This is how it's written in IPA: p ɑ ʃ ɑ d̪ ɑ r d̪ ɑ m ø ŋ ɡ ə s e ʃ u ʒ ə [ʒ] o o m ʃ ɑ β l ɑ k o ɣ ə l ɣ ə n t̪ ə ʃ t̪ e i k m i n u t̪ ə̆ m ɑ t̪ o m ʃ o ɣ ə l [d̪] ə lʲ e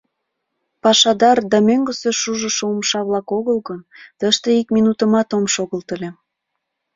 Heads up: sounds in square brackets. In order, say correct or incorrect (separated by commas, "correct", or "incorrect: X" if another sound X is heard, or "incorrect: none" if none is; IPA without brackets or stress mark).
incorrect: ʃ, incorrect: t̪